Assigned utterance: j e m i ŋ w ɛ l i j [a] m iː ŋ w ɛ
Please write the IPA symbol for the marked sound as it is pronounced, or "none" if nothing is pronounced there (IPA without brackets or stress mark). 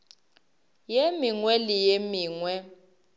e